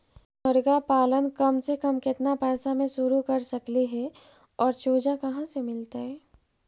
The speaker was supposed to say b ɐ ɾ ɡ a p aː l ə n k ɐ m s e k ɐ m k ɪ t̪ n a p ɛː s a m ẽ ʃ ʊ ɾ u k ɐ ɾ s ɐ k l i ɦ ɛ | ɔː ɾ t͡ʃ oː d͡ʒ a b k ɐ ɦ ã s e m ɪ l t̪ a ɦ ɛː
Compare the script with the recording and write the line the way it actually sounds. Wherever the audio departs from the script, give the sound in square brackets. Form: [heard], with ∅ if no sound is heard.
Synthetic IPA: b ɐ ɾ ɡ a p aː l ə n k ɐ m s e k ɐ m k ɪ t̪ n a p ɛː s a m ẽ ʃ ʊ ɾ u k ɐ ɾ s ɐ k l i ɦ ɛ | ɔː ɾ t͡ʃ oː d͡ʒ a [∅] k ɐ ɦ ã s e m ɪ l t̪ a ɦ ɛː